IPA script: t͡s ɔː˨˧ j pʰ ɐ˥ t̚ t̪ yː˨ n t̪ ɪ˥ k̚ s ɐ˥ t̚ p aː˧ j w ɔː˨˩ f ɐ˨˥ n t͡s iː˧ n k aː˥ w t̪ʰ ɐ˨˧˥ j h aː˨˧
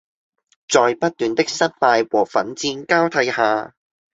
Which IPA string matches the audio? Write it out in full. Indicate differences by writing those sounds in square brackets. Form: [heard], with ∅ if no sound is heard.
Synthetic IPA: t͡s ɔː˨˧ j [p] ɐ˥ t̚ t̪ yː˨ n t̪ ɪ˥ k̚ s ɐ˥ t̚ p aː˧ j w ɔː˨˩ f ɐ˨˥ n t͡s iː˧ n k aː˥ w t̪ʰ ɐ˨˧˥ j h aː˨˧